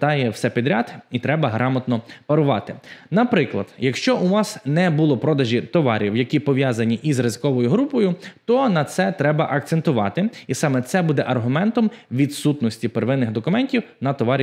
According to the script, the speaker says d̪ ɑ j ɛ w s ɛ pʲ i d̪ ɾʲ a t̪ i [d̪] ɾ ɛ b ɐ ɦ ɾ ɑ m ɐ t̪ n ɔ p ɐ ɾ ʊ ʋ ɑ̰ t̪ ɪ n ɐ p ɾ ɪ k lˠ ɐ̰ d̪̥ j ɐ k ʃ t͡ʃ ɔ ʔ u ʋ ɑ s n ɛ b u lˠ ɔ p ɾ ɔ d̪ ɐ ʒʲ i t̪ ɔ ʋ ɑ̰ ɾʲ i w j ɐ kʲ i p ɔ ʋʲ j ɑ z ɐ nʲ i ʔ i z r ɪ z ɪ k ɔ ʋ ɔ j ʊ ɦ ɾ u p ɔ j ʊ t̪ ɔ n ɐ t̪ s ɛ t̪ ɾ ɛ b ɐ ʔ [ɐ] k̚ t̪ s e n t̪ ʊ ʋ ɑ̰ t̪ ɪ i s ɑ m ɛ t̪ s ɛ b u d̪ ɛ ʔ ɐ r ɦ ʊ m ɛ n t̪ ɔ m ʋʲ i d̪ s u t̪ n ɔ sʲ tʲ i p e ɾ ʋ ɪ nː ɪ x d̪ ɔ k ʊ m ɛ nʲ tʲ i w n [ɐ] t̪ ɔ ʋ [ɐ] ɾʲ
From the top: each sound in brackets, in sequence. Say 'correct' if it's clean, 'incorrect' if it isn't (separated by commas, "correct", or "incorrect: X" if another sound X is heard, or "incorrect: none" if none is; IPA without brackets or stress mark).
incorrect: t̪, correct, correct, incorrect: ɑ